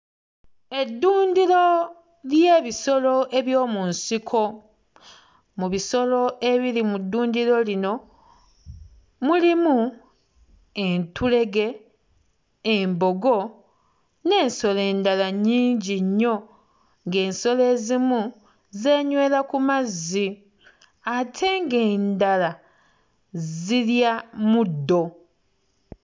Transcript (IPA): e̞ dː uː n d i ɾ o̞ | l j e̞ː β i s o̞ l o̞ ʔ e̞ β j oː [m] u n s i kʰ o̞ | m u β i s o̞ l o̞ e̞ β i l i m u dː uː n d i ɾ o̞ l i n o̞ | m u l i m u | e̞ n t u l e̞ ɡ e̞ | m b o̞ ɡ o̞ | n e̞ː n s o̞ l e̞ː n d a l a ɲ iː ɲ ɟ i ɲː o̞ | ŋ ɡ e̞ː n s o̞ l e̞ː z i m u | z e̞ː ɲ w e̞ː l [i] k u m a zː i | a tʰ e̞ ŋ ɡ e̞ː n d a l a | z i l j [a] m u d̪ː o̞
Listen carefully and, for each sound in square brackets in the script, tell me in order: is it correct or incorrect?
correct, incorrect, correct

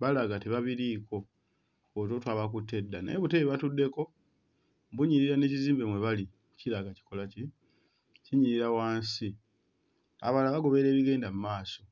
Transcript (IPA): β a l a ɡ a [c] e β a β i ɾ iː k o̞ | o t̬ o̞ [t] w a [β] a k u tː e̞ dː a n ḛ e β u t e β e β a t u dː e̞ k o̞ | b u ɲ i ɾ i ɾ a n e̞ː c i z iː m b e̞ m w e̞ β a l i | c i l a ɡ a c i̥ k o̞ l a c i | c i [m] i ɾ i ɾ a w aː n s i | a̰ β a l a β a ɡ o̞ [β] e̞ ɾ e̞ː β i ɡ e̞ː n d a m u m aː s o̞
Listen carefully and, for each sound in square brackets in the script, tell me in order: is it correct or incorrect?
incorrect, correct, correct, incorrect, correct

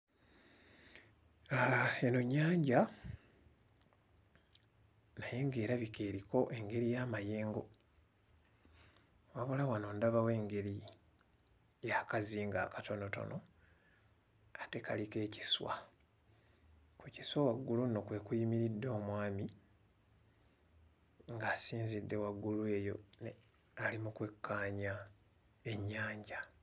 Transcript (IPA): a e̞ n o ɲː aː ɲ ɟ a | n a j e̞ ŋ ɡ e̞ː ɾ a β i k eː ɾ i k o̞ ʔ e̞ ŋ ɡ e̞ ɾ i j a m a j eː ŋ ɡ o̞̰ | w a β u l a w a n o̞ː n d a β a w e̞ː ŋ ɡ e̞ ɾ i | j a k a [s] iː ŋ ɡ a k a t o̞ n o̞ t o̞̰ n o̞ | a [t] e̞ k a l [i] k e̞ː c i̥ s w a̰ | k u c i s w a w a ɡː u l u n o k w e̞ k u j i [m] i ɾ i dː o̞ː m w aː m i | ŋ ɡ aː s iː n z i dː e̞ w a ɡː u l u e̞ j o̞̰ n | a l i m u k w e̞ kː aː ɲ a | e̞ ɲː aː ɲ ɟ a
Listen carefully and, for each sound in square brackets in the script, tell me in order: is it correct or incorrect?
incorrect, correct, correct, correct

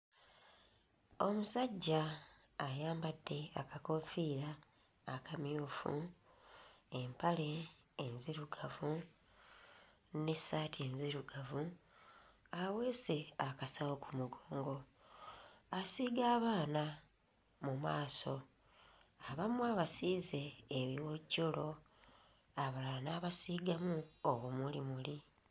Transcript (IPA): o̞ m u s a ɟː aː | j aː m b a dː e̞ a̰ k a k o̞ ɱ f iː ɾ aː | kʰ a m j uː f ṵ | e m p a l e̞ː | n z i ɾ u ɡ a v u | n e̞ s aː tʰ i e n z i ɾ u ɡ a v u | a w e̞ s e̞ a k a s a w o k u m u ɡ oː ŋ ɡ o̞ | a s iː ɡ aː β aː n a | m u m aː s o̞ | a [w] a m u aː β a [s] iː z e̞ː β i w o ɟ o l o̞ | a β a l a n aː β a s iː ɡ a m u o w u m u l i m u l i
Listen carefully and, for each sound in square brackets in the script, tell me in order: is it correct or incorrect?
incorrect, correct

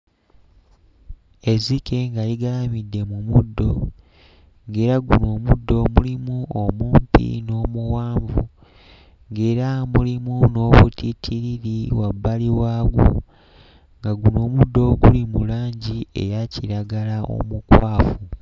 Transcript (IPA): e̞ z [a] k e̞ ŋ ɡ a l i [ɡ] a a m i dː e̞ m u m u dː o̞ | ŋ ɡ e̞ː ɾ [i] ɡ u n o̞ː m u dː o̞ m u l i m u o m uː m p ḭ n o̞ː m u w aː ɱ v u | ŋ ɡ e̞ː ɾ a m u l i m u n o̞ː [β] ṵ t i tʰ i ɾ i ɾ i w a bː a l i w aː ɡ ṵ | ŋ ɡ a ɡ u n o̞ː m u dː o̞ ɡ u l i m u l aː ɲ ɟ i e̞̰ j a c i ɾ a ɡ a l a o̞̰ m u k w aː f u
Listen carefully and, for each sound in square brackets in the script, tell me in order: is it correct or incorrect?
incorrect, correct, incorrect, correct

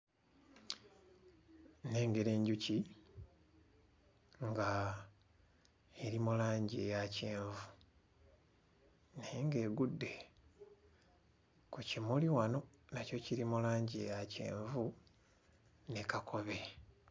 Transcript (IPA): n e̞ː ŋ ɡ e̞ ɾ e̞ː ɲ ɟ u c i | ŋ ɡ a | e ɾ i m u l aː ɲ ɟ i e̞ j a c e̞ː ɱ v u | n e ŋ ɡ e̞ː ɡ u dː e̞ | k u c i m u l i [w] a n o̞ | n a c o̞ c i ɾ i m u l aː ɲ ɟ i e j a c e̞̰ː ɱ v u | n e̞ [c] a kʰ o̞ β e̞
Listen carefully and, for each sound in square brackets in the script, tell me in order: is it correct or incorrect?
correct, incorrect

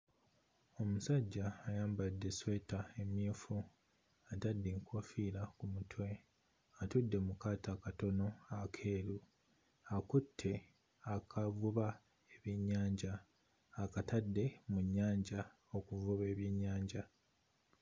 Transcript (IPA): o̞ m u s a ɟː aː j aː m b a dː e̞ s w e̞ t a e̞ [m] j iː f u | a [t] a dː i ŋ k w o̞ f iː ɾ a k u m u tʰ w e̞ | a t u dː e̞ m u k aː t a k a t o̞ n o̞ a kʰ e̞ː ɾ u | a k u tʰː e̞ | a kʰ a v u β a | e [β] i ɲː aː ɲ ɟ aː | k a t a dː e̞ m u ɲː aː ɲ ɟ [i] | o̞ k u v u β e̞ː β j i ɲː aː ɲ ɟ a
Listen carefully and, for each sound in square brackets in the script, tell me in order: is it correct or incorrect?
correct, correct, correct, incorrect

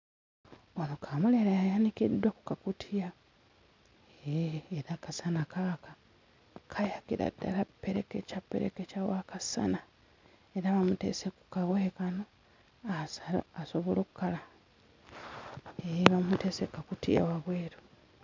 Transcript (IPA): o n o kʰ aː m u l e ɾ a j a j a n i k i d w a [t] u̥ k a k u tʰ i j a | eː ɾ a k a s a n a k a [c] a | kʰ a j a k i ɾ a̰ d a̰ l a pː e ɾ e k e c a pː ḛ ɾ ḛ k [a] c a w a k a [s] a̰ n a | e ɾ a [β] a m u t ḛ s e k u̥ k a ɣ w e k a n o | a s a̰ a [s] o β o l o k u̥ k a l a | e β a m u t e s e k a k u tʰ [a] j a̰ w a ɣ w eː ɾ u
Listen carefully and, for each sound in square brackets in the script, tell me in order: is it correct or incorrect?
incorrect, incorrect, incorrect, correct, correct, correct, incorrect

